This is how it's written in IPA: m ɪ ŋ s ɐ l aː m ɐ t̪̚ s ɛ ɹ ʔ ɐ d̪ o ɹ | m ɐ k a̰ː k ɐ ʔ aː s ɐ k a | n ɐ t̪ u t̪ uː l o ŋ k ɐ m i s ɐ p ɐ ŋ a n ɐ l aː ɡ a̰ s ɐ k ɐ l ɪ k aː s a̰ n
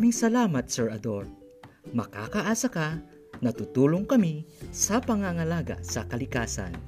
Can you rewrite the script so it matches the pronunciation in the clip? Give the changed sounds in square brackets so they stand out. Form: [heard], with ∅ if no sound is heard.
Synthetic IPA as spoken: m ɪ ŋ s ɐ l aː m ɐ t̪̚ s ɛ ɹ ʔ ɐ d̪ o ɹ | m ɐ k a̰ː k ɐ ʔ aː s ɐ k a | n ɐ t̪ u t̪ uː l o ŋ k ɐ m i s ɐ p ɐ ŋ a [ŋ] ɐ l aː ɡ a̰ s ɐ k ɐ l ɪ k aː s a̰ n